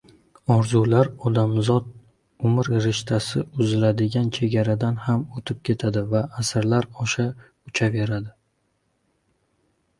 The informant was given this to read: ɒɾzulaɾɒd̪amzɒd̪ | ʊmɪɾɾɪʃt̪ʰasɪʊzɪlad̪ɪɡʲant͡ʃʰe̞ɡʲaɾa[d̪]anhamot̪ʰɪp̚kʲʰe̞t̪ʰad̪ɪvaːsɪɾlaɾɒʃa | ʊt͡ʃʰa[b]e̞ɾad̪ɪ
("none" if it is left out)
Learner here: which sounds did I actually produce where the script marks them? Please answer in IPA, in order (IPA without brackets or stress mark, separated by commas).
d̪, v